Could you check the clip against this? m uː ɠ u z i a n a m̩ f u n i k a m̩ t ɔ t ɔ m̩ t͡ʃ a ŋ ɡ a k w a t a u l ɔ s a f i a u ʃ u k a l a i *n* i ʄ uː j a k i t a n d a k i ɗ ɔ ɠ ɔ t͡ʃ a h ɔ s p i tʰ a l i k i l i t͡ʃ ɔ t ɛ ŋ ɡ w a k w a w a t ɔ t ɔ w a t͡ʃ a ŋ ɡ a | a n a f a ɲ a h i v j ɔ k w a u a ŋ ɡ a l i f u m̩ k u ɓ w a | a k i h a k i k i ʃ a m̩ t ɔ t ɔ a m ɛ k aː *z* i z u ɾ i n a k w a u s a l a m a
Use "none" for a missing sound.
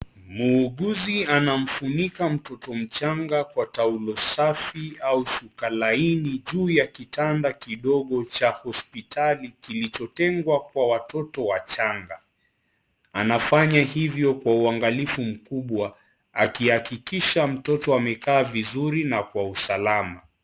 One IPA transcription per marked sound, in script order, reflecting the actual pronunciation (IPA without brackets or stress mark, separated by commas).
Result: n, v